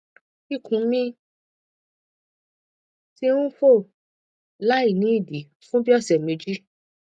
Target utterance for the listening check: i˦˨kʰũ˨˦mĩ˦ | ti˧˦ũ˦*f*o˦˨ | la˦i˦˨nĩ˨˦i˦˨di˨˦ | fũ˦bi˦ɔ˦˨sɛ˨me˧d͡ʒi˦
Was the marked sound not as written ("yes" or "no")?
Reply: no